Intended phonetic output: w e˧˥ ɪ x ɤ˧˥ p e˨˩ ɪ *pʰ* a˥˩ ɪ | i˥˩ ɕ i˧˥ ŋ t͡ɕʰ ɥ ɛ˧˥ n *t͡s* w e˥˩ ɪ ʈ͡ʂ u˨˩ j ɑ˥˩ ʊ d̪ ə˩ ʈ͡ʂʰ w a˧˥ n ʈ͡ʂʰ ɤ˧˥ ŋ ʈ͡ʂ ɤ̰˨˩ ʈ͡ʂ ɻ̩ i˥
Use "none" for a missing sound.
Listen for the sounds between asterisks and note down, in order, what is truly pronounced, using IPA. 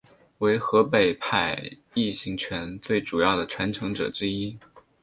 pʰ, t͡s

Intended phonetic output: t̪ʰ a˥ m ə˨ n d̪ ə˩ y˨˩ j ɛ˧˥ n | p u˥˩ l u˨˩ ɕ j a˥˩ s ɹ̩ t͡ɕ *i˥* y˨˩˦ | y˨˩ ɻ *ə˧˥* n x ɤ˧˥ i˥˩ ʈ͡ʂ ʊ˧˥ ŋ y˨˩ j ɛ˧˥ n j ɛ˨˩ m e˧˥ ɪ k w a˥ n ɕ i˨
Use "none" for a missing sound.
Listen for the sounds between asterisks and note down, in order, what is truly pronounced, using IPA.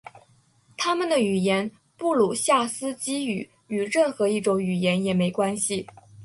i˥, ə˥˩

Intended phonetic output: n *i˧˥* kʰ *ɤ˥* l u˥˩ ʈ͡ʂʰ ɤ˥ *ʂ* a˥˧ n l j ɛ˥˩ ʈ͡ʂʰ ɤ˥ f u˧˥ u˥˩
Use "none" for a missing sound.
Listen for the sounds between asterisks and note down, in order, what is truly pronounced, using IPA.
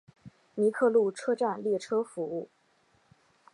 i˧˥, ɤ˥˧, ʈ͡ʂ

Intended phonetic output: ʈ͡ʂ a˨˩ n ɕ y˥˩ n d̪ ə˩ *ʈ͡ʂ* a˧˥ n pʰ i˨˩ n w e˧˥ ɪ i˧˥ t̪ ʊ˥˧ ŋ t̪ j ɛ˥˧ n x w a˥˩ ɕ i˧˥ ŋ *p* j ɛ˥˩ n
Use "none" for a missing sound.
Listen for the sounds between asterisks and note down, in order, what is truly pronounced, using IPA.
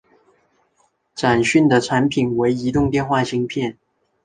ʈ͡ʂʰ, pʰ

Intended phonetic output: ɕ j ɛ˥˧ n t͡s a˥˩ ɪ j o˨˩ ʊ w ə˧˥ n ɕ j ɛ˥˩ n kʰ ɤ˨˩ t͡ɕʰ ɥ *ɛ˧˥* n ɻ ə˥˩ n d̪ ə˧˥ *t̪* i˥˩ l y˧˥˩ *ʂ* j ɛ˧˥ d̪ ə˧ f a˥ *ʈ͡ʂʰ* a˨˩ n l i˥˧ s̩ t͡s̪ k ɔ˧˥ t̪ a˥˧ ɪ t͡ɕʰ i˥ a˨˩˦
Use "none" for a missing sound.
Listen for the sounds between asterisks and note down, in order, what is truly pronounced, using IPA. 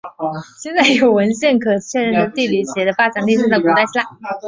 ɛ˥˧, t̪, ɕ, ʈ͡ʂ

